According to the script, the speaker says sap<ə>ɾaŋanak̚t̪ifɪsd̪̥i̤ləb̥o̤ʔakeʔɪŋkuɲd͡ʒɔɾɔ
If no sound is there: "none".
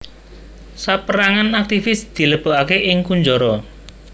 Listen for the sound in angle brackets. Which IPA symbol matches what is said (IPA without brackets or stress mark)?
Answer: ə